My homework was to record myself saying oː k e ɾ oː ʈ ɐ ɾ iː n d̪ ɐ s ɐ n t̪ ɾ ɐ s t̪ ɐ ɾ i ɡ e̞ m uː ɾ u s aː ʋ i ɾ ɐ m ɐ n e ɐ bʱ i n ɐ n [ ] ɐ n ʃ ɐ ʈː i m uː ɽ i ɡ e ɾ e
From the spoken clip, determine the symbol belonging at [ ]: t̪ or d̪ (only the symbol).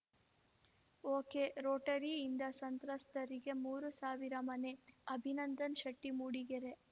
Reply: d̪